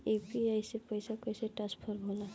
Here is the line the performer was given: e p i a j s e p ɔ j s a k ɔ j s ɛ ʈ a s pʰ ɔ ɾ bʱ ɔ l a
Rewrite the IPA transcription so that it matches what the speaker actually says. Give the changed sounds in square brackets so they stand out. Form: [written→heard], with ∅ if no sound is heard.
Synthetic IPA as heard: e p i a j s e p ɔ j s a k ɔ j s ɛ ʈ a s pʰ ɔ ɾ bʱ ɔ l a